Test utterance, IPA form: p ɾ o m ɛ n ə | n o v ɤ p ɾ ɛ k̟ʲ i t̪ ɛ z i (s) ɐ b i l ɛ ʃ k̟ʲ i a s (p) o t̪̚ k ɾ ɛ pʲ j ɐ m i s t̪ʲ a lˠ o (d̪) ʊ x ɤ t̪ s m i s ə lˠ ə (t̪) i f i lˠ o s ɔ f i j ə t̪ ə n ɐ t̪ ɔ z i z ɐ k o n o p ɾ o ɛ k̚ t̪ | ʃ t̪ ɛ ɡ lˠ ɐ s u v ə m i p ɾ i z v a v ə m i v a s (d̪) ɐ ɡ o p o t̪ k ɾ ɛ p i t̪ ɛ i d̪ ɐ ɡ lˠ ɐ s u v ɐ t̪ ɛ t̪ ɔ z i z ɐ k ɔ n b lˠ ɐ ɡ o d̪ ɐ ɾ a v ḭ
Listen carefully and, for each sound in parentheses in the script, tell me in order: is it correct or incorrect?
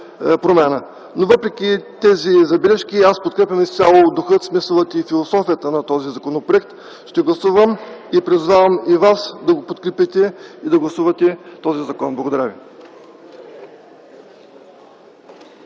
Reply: incorrect, correct, correct, correct, correct

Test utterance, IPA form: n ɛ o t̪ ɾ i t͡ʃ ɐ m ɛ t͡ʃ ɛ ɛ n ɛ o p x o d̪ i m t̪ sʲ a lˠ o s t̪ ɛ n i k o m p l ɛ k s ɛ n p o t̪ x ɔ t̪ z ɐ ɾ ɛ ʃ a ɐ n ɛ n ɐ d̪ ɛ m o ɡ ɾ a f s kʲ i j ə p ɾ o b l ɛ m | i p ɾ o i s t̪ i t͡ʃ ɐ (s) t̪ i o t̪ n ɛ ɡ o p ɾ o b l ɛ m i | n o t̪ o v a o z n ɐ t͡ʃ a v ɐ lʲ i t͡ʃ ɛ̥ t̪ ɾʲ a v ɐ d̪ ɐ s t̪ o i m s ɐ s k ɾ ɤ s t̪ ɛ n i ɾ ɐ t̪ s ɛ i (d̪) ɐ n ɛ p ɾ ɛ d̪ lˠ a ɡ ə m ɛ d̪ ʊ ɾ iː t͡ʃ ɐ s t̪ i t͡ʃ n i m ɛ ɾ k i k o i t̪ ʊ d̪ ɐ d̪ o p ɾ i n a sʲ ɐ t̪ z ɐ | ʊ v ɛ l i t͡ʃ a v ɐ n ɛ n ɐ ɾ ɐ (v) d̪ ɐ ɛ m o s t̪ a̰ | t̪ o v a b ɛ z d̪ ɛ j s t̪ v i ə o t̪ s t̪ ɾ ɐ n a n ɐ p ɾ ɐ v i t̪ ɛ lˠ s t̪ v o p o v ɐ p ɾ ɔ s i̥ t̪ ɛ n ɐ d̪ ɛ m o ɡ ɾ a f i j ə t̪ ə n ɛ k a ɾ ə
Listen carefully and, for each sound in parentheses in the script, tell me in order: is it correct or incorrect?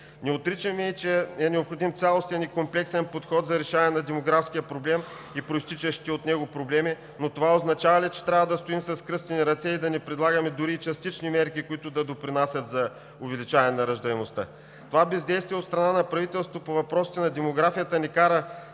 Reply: incorrect, correct, incorrect

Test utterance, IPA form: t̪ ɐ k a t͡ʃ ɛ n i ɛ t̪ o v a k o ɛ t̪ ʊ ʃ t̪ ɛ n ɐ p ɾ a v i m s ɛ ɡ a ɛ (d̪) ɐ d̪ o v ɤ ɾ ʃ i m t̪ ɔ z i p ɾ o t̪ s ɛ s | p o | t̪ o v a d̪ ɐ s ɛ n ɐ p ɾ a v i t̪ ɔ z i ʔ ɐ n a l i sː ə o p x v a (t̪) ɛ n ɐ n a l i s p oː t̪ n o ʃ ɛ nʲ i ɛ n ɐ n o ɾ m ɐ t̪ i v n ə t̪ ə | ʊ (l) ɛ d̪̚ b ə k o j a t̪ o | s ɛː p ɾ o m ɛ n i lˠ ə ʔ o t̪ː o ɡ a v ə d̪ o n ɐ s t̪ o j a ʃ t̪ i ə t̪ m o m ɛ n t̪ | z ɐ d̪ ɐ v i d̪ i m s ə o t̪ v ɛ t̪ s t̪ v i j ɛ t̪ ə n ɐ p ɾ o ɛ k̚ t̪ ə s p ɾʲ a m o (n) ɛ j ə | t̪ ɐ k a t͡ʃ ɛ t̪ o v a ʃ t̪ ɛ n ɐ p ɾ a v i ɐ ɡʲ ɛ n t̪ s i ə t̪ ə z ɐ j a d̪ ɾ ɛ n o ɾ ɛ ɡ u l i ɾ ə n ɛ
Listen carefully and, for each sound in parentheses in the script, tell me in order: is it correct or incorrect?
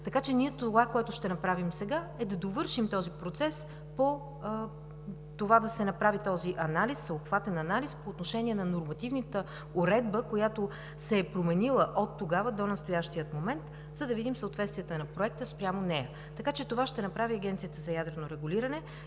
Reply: correct, correct, incorrect, correct

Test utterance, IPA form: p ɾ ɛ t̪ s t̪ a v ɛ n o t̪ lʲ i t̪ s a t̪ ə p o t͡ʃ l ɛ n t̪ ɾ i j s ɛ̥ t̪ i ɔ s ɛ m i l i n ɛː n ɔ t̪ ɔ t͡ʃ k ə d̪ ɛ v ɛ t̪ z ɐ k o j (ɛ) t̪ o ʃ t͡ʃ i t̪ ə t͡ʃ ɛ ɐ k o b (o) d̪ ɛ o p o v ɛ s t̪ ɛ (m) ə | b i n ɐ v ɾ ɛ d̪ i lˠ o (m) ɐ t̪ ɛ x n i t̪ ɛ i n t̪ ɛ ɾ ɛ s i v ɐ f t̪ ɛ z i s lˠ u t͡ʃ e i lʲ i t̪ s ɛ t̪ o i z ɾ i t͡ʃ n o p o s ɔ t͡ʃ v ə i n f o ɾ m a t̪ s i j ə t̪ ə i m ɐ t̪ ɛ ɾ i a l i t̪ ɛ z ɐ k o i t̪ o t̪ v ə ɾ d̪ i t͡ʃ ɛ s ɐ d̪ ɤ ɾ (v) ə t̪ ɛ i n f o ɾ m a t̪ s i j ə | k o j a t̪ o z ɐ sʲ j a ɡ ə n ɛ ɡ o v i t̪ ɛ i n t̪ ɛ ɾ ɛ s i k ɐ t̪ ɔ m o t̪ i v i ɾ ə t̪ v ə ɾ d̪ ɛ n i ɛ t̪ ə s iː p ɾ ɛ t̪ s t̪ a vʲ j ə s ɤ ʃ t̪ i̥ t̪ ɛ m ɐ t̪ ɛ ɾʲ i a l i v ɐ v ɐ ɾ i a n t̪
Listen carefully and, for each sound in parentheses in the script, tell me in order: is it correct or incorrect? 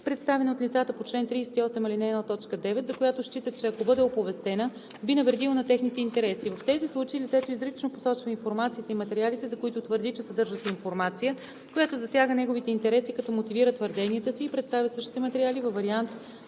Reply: incorrect, incorrect, incorrect, incorrect, incorrect

